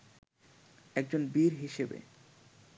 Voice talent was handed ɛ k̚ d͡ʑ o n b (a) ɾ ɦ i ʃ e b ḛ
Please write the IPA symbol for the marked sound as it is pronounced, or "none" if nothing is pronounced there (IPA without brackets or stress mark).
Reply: i